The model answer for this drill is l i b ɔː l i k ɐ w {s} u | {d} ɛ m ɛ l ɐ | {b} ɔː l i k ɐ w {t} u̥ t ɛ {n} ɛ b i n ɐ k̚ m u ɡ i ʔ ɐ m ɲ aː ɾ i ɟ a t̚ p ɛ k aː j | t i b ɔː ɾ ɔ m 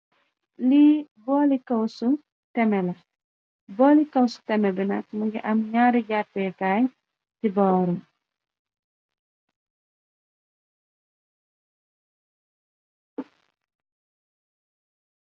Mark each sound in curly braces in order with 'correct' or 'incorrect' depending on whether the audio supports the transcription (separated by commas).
correct, incorrect, correct, incorrect, incorrect